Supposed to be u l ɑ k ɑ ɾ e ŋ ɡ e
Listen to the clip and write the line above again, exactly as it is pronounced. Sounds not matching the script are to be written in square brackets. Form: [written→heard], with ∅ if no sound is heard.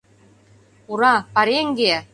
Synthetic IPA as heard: u [l→ɾ] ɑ [k→p] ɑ ɾ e ŋ ɡ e